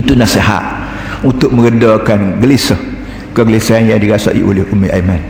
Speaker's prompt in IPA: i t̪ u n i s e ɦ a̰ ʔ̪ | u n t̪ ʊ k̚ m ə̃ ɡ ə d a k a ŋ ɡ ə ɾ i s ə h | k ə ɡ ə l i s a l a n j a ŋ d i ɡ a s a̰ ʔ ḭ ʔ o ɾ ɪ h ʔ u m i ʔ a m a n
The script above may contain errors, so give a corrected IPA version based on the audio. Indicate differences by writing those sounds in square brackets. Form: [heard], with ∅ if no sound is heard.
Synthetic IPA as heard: i t̪ u n [a] s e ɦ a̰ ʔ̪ | u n t̪ ʊ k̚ m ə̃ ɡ ə d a k a [n] ɡ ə [l] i s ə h | k ə ɡ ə l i s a [∅] a n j a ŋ d i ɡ a s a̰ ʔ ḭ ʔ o [l] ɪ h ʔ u m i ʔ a m a n